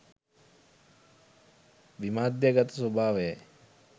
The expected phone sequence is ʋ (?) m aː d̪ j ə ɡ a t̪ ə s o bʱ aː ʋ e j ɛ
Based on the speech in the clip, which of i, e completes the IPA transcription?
i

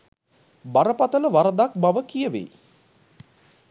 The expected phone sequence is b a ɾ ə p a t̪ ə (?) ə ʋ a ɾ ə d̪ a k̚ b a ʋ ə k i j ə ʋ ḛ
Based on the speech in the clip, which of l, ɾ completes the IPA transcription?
l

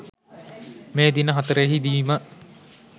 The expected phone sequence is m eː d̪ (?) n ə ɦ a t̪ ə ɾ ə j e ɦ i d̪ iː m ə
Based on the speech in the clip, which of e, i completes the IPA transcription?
i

